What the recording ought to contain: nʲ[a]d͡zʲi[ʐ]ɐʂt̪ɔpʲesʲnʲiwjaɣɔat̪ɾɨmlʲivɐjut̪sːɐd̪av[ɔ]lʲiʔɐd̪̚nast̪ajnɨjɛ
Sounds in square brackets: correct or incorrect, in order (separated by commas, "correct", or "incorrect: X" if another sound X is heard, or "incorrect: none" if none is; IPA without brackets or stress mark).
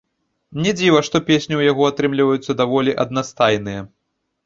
incorrect: ɛ, incorrect: v, correct